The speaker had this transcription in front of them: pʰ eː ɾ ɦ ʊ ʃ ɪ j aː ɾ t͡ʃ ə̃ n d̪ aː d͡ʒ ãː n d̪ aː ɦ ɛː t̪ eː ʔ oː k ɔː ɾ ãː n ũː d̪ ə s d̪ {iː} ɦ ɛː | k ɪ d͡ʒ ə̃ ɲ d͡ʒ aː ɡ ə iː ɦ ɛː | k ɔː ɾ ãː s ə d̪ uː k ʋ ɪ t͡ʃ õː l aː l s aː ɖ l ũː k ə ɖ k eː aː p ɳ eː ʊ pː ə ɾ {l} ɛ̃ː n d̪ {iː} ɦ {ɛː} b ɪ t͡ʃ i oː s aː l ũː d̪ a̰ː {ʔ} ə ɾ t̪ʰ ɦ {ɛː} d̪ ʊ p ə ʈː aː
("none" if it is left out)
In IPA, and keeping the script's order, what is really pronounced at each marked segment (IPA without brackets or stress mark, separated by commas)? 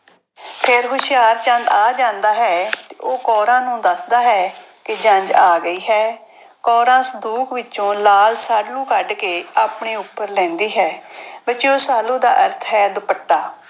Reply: aː, l, iː, ɛː, ʔ, ɛː